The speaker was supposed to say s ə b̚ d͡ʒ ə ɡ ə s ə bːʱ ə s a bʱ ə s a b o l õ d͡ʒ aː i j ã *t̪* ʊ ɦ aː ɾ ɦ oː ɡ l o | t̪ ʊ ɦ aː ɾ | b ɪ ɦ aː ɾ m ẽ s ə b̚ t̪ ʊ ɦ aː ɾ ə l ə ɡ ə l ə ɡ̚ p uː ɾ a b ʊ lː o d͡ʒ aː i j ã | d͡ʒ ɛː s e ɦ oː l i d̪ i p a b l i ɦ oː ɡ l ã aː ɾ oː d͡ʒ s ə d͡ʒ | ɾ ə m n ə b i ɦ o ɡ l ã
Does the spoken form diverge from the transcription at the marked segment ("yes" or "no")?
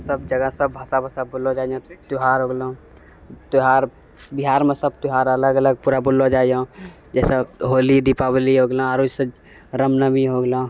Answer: no